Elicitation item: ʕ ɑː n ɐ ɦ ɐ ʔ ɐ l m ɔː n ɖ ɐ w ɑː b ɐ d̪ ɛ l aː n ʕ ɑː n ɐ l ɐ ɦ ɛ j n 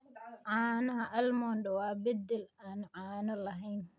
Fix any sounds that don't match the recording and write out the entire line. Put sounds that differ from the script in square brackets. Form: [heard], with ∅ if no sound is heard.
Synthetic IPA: ʕ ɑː n ɐ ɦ ɐ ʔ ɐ l m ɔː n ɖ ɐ w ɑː b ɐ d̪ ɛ l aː n ʕ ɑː n ɐ l ɐ ɦ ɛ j n